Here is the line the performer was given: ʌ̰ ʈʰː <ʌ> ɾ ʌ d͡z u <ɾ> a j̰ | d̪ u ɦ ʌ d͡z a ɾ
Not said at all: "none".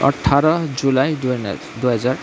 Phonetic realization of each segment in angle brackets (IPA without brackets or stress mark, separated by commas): a, l